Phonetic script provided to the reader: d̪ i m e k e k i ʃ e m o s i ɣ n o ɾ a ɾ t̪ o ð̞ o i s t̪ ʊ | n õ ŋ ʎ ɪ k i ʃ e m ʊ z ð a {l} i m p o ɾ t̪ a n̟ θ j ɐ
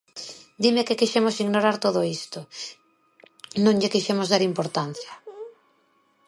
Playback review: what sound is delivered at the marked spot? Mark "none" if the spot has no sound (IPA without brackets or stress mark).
ɾ